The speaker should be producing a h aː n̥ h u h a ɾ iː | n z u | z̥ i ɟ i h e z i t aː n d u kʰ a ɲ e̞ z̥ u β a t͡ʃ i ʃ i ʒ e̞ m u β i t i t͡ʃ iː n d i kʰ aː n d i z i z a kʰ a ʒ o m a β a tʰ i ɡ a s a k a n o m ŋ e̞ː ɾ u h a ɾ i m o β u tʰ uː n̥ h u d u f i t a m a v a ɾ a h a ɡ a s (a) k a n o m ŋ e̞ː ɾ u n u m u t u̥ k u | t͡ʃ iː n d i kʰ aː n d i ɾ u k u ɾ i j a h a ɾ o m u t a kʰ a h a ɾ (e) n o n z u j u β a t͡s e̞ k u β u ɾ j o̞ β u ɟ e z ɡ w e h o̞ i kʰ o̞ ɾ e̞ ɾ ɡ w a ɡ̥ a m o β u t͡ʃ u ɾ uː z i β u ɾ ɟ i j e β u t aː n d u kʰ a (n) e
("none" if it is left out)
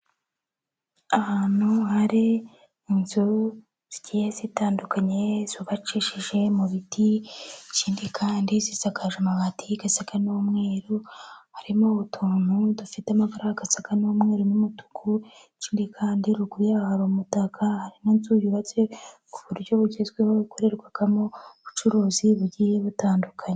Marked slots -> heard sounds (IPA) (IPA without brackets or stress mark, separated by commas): a, i, ɲ